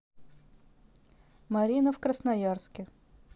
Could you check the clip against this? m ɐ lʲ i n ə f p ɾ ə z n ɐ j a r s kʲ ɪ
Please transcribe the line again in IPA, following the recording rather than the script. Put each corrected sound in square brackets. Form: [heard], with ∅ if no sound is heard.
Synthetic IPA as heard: m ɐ [ɾʲ] i n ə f [k] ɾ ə [s] n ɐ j a r s kʲ ɪ

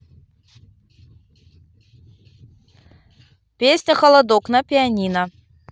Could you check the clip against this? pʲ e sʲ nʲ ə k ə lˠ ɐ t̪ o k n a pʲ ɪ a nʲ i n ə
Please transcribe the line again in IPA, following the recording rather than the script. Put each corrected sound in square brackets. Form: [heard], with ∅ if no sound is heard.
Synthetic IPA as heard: pʲ e sʲ nʲ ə [x] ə lˠ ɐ [d̪] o k n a pʲ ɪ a nʲ i n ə

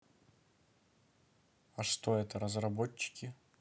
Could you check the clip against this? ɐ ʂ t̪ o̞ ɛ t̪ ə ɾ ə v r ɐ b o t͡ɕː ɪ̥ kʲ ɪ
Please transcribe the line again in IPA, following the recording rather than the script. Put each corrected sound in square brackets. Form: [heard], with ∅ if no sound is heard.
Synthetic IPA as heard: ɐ ʂ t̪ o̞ ɛ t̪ ə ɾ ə [z] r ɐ b o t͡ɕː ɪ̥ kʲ ɪ

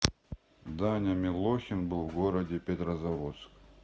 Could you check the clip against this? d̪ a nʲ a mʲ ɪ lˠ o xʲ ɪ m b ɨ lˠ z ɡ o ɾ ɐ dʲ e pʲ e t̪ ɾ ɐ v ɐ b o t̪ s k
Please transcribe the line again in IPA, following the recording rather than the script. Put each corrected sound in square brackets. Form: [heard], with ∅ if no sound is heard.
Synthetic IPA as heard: d̪ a nʲ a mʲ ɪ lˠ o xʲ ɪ [n] b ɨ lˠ [v] ɡ o ɾ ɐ dʲ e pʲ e t̪ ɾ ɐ [z] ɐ [v] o t̪ s k

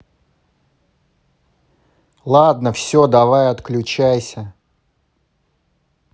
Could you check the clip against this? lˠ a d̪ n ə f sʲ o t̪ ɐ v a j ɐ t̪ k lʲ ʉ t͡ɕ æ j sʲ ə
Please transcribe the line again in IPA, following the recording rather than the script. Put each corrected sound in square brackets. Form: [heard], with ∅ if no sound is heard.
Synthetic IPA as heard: lˠ a d̪ n ə f sʲ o [d̪] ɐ v a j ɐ t̪ k lʲ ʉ t͡ɕ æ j sʲ ə

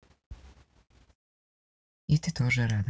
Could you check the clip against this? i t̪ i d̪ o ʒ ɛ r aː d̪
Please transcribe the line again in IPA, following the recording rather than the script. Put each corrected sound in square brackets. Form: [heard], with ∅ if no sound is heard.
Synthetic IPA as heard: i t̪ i [t̪] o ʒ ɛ [ɾ] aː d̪

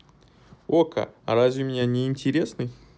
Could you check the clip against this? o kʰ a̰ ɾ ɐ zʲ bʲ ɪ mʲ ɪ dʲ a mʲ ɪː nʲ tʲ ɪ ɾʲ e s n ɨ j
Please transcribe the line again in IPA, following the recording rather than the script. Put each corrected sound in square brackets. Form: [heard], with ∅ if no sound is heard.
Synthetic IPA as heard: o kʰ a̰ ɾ [a] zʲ [vʲ] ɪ mʲ ɪ [nʲ] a [nʲ] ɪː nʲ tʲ ɪ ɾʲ e s n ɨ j

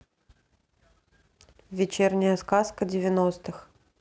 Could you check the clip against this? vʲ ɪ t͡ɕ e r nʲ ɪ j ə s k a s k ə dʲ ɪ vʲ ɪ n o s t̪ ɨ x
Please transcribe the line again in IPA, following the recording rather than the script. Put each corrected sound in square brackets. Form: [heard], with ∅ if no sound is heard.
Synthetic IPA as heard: vʲ ɪ t͡ɕ e r nʲ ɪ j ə s k a s k ə dʲ ɪ vʲ ɪ n o s t̪ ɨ x

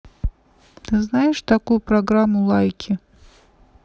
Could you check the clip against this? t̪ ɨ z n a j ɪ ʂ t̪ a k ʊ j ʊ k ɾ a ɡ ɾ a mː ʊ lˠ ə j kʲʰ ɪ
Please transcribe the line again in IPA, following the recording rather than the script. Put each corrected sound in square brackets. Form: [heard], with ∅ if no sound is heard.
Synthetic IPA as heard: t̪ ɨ z n a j ɪ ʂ t̪ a k [u] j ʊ [p] ɾ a ɡ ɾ a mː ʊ lˠ [a] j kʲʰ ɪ

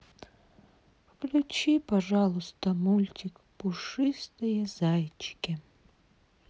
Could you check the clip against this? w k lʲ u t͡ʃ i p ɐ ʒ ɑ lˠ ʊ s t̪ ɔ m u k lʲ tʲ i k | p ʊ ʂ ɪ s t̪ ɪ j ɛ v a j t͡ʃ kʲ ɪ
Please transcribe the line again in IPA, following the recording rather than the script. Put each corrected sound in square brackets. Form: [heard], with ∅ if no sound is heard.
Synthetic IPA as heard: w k lʲ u t͡ʃ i p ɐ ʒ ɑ lˠ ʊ s t̪ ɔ m u [∅] lʲ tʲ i k | p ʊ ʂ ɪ s t̪ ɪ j ɛ [z] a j t͡ʃ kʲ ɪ

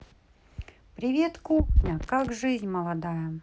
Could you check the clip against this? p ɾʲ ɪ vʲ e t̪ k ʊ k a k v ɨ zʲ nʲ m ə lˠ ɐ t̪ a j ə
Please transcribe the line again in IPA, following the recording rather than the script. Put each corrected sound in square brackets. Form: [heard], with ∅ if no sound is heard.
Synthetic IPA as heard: p ɾʲ ɪ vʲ e t̪ k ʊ k a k [ʐ] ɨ zʲ nʲ m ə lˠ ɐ [d̪] a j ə

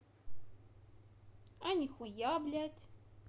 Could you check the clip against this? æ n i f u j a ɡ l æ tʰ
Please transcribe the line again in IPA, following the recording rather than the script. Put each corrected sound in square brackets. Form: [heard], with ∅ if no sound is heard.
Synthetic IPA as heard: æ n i [x] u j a [b] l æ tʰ

